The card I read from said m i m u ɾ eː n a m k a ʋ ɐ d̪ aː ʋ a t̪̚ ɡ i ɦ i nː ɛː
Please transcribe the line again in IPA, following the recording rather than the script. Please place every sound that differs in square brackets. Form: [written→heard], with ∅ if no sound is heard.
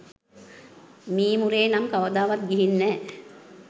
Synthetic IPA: m [i→iː] m u ɾ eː n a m k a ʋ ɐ d̪ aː ʋ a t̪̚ ɡ i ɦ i nː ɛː